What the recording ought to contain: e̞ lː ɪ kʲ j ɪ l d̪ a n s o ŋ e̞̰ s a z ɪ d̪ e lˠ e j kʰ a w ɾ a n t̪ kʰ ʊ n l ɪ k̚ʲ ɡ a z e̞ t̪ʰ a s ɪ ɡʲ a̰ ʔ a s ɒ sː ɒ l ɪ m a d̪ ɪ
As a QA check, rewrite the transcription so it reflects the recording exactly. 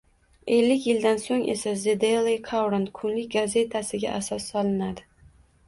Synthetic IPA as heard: e̞ lː ɪ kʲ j ɪ l d̪ a n s o ŋ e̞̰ s a z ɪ d̪ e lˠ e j kʰ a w ɾ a n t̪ kʰ ʊ n l ɪ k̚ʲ ɡ a z e̞ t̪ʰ a s ɪ ɡʲ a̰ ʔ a s ɒ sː ɒ l ɪ n a d̪ ɪ